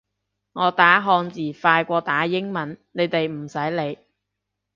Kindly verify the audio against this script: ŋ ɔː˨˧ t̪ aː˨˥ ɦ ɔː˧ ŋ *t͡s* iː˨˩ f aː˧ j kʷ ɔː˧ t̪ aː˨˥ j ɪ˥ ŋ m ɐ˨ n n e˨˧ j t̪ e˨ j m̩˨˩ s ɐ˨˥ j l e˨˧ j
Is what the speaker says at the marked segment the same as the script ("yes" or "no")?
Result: yes